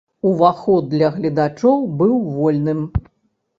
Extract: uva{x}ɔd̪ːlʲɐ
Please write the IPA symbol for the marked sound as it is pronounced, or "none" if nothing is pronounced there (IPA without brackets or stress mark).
x